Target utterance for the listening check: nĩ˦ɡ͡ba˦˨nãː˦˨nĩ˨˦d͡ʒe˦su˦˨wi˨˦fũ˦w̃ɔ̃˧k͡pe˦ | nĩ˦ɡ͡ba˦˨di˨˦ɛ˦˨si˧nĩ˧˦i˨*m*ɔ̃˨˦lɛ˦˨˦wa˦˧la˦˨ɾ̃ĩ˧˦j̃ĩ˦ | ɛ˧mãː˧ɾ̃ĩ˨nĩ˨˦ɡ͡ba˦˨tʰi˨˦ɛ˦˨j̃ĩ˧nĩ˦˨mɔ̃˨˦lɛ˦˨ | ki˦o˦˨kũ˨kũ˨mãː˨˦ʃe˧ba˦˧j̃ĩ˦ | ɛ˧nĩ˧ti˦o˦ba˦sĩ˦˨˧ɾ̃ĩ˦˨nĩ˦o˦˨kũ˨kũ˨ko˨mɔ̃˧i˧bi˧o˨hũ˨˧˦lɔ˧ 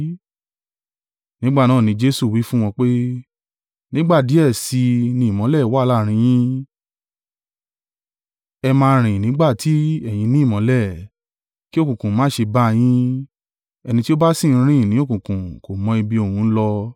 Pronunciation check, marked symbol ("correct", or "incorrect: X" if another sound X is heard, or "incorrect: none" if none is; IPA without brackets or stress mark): correct